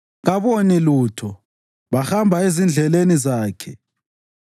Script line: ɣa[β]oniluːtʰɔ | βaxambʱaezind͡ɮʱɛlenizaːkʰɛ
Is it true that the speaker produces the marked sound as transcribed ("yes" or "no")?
yes